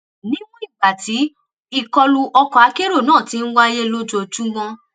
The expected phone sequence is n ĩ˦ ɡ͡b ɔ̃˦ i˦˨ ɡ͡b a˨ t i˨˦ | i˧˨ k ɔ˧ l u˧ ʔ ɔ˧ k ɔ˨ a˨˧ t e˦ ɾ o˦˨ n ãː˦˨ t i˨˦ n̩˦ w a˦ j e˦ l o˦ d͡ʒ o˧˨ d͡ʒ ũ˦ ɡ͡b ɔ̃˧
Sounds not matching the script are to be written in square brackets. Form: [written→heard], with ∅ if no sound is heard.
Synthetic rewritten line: n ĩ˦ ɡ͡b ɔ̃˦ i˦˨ ɡ͡b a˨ t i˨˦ | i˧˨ k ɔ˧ l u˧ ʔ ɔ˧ k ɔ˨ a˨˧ [t→k] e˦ ɾ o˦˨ n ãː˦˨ t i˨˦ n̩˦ w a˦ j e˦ l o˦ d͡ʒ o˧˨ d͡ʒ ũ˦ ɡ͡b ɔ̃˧